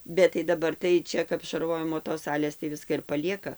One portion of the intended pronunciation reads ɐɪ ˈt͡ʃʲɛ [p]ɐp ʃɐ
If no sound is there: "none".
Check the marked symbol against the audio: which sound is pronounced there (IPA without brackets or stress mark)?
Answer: k